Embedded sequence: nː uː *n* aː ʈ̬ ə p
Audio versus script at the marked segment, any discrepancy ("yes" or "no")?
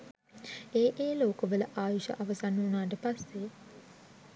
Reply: no